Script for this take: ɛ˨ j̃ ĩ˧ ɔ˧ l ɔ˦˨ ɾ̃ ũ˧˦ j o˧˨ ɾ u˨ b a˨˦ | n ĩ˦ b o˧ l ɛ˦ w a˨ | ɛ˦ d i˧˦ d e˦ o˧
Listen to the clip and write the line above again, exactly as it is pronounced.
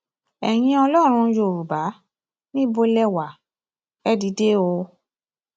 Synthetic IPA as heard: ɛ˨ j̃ ĩ˧ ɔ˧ l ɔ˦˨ ɾ̃ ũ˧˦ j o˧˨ ɾ u˨ b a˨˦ | n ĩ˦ b o˧ l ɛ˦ w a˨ | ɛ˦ d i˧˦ d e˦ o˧